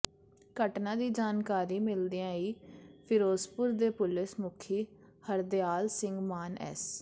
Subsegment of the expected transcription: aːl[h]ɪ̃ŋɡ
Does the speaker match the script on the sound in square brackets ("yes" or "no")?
no